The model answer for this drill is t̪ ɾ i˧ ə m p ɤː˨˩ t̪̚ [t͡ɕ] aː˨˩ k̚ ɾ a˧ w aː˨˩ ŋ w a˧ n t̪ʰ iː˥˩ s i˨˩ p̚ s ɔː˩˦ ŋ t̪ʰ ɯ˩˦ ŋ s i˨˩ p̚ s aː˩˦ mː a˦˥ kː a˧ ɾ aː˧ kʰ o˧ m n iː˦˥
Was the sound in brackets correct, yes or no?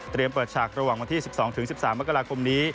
no